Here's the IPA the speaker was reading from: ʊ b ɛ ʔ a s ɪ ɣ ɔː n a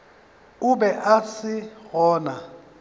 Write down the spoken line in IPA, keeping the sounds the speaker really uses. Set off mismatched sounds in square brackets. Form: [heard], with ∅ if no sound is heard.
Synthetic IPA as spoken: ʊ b ɛ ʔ a s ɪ ɣ ɔː n a